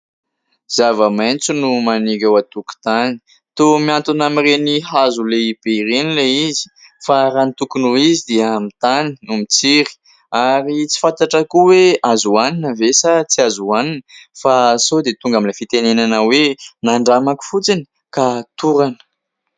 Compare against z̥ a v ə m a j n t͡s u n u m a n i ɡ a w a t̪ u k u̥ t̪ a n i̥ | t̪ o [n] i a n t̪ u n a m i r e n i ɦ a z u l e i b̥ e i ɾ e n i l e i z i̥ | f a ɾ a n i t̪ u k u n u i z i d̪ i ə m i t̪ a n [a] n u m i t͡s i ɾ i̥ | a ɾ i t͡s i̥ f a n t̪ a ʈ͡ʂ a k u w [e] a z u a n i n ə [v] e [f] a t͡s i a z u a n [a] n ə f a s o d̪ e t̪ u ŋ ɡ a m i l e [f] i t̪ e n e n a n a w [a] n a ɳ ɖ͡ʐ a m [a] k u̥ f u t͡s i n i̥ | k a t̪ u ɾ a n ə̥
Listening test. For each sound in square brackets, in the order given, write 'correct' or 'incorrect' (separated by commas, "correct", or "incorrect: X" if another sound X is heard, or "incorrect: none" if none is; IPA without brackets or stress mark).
incorrect: m, incorrect: i, correct, correct, incorrect: s, incorrect: i, correct, incorrect: e, correct